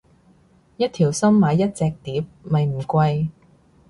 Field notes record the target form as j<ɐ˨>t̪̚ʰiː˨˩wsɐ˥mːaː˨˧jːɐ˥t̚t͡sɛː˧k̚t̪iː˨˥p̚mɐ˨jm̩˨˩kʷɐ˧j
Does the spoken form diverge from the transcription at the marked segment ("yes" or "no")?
yes